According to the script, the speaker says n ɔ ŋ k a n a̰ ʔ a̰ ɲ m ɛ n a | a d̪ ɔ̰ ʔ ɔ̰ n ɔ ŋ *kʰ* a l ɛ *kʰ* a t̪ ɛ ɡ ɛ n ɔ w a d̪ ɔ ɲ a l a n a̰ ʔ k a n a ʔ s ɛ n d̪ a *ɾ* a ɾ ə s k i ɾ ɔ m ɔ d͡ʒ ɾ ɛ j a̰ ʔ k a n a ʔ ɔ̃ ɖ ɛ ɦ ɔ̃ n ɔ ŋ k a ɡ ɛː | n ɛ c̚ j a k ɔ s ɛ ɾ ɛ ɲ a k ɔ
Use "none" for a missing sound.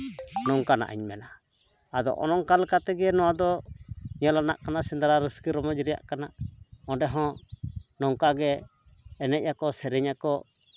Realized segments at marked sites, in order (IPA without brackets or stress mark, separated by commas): k, k, ɾ